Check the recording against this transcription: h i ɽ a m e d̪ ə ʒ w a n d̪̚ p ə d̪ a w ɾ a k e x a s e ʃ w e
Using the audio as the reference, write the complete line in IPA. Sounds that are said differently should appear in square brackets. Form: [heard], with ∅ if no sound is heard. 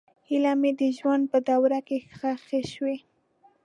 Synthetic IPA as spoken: h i [l] a m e d̪ ə ʒ w a n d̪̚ p ə d̪ a w ɾ a k e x a [x] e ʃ w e